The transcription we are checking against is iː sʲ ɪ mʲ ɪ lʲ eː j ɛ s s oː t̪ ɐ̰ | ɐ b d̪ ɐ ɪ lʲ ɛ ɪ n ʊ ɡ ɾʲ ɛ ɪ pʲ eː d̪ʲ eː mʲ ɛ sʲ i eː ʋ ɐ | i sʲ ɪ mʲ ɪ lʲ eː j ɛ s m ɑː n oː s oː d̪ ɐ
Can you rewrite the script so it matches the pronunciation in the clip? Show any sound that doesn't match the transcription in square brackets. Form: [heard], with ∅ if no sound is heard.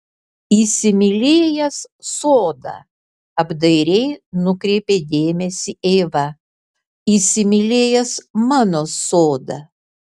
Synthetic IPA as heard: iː sʲ ɪ mʲ ɪ lʲ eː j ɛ s s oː [d̪] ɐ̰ | ɐ b d̪ ɐ ɪ [ɾʲ] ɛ ɪ n ʊ [k] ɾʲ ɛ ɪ pʲ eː d̪ʲ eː mʲ ɛ sʲ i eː ʋ ɐ | i sʲ ɪ mʲ ɪ lʲ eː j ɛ s m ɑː n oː s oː d̪ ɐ

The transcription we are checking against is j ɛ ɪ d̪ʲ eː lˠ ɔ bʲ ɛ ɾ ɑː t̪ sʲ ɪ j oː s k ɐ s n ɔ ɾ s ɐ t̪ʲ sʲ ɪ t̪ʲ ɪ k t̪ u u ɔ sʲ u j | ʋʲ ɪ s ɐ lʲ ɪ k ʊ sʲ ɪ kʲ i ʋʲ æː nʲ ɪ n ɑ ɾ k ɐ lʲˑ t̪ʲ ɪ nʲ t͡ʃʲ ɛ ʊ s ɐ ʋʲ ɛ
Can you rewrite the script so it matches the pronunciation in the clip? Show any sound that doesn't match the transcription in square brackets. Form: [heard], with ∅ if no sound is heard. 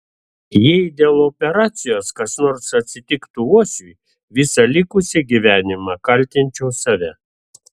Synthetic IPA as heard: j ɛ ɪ d̪ʲ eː lˠ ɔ [pʲ] ɛ ɾ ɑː t̪ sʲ ɪ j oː s k ɐ s n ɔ ɾ s ɐ t̪ʲ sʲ ɪ t̪ʲ ɪ k t̪ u u ɔ sʲ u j | ʋʲ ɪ s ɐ lʲ ɪ k ʊ sʲ ɪ [ɡʲ] i ʋʲ æː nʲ ɪ [m] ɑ [∅] k ɐ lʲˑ t̪ʲ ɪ nʲ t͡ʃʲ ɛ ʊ s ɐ ʋʲ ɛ

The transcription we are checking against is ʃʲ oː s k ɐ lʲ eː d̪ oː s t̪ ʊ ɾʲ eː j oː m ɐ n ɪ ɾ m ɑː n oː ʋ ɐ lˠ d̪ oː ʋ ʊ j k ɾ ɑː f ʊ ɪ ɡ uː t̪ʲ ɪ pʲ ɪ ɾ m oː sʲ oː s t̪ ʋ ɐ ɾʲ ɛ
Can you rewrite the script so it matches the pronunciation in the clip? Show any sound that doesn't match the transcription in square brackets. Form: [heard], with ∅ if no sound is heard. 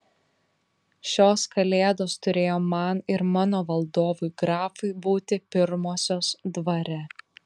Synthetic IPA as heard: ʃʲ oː s k ɐ lʲ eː d̪ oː s t̪ ʊ ɾʲ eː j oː m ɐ n ɪ ɾ m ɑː n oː ʋ ɐ lˠ d̪ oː ʋ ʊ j [ɡ] ɾ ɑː f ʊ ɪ [b] uː t̪ʲ ɪ pʲ ɪ ɾ m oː sʲ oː s [d̪] ʋ ɐ ɾʲ ɛ

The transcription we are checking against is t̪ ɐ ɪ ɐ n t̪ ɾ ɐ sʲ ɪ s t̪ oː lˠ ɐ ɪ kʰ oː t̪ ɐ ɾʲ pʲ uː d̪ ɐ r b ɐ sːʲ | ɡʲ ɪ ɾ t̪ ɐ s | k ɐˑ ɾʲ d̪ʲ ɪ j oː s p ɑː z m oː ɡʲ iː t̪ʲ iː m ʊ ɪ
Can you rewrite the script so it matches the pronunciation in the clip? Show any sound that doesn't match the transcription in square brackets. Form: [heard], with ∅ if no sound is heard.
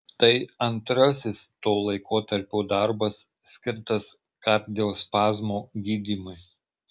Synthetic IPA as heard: t̪ ɐ ɪ ɐ n t̪ ɾ ɐ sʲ ɪ s t̪ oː lˠ ɐ ɪ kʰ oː t̪ ɐ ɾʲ pʲ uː d̪ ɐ [ɾ] b ɐ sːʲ | [kʲ] ɪ ɾ t̪ ɐ s | k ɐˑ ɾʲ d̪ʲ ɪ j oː s p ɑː z m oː ɡʲ iː [d̪ʲ] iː m ʊ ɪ

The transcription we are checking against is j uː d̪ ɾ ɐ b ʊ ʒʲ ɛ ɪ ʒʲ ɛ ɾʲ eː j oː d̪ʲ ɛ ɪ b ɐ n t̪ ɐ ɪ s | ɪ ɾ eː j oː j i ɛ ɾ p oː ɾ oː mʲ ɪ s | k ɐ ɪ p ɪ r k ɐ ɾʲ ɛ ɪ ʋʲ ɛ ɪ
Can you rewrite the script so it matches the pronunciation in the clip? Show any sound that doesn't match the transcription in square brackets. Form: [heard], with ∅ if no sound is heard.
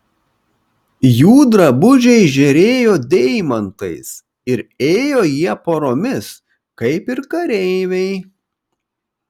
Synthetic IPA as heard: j uː d̪ ɾ ɐ b ʊ ʒʲ ɛ ɪ ʒʲ ɛ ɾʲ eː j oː d̪ʲ ɛ ɪ [m] ɐ n t̪ ɐ ɪ s | ɪ ɾ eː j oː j i ɛ [∅] p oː ɾ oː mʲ ɪ s | k ɐ ɪ p ɪ [ɾ] k ɐ ɾʲ ɛ ɪ ʋʲ ɛ ɪ

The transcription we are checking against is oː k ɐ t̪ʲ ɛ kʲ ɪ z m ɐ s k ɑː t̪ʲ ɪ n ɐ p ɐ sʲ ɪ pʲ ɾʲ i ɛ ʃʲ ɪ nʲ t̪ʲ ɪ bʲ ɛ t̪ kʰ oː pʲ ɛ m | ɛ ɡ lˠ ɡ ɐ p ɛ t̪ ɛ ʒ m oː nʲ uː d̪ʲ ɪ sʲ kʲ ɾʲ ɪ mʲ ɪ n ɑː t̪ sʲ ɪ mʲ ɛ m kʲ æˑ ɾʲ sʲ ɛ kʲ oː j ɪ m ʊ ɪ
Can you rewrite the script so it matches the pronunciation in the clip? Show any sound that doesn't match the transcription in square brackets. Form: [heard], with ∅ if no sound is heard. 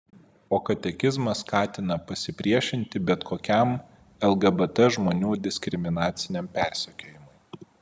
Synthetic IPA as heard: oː k ɐ t̪ʲ ɛ kʲ ɪ z m ɐ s k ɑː t̪ʲ ɪ n ɐ p ɐ sʲ ɪ pʲ ɾʲ i ɛ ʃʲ ɪ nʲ t̪ʲ ɪ bʲ ɛ t̪ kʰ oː [kʲ] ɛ m | ɛ [∅] lˠ ɡ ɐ [b] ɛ t̪ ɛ ʒ m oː nʲ uː d̪ʲ ɪ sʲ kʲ ɾʲ ɪ mʲ ɪ n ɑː t̪ sʲ ɪ [nʲ] ɛ m [pʲ] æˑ ɾʲ sʲ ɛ kʲ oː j ɪ m ʊ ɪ

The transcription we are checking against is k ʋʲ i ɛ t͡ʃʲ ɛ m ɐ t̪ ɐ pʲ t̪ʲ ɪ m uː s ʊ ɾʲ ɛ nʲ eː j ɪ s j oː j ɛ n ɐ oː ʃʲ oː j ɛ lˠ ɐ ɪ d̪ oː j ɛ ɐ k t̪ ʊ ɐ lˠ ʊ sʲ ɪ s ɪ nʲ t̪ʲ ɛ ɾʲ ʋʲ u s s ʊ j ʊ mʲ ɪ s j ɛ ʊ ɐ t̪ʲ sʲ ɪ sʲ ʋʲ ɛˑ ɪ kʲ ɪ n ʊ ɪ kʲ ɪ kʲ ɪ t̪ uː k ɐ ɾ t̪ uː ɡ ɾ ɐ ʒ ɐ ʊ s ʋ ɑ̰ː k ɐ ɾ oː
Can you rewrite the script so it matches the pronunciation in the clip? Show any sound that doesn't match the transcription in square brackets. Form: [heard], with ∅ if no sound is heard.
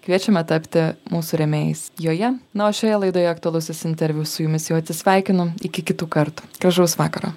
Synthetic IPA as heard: k ʋʲ i ɛ t͡ʃʲ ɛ m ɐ t̪ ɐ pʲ t̪ʲ ɪ m uː s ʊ ɾʲ ɛ [mʲ] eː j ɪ s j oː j ɛ n ɐ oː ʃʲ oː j ɛ lˠ ɐ ɪ d̪ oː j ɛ ɐ k t̪ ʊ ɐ lˠ ʊ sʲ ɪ s ɪ nʲ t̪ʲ ɛ ɾʲ ʋʲ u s s ʊ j ʊ mʲ ɪ s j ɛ ʊ ɐ t̪ʲ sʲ ɪ sʲ ʋʲ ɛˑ ɪ kʲ ɪ n ʊ ɪ kʲ ɪ kʲ ɪ t̪ uː k ɐ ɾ t̪ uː ɡ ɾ ɐ ʒ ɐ ʊ s ʋ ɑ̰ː k ɐ ɾ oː

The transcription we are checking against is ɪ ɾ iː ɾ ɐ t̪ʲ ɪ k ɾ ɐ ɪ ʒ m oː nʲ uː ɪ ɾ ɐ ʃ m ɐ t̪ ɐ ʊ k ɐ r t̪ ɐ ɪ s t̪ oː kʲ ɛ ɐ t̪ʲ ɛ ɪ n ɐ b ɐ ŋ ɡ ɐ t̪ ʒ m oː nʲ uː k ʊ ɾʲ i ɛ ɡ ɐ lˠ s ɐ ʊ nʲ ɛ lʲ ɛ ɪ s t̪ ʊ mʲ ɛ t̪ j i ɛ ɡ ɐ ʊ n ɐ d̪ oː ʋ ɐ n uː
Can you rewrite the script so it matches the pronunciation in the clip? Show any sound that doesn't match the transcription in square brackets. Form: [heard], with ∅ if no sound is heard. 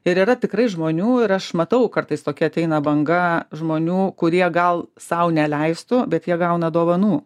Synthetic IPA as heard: ɪ ɾ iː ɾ ɐ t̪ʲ ɪ k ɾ ɐ ɪ ʒ m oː nʲ uː ɪ ɾ ɐ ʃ m ɐ t̪ ɐ ʊ k ɐ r t̪ ɐ ɪ s t̪ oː kʲ ɛ ɐ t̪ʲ ɛ ɪ n ɐ b ɐ ŋ ɡ ɐ [∅] ʒ m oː nʲ uː k ʊ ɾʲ i ɛ ɡ ɐ lˠ s ɐ ʊ nʲ ɛ lʲ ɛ ɪ s t̪ ʊ [bʲ] ɛ t̪ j i ɛ ɡ ɐ ʊ n ɐ d̪ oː ʋ ɐ n uː

